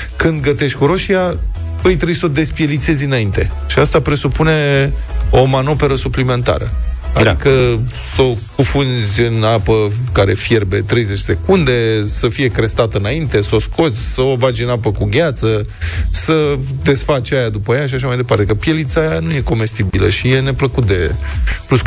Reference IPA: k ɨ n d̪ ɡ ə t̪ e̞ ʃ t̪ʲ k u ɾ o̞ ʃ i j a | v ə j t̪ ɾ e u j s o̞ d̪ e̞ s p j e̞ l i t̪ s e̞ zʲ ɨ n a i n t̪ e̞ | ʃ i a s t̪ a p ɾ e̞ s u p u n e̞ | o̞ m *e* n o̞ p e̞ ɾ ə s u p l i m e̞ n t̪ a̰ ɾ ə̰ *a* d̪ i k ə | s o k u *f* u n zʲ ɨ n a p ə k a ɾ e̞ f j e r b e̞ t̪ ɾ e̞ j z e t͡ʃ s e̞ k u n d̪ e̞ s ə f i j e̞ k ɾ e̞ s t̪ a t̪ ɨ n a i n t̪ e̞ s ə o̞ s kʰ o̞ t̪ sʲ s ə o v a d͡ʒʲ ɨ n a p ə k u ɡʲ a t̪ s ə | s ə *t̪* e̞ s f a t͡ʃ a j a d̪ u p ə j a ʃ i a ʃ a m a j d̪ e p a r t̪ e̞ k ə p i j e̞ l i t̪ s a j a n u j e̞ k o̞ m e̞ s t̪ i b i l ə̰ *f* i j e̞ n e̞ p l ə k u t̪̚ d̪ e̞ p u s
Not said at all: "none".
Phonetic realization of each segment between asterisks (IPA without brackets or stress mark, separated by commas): a, a, f, d̪, ʃ